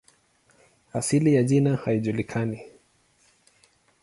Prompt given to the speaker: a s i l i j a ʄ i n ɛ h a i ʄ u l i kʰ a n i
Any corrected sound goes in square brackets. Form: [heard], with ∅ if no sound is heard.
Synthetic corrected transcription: a s i l i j a ʄ i n [a] h a i ʄ u l i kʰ a n i